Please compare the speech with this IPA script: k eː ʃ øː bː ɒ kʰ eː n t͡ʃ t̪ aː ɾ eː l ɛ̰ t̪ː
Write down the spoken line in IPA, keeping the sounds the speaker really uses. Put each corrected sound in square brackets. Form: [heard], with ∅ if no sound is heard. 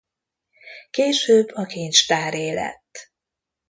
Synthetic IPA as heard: k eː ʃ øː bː ɒ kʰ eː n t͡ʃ t̪ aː ɾ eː l ɛ̰ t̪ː